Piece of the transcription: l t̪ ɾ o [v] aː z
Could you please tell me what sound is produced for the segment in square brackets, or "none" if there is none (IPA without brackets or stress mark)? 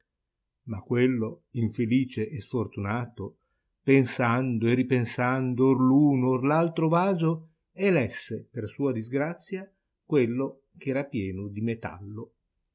v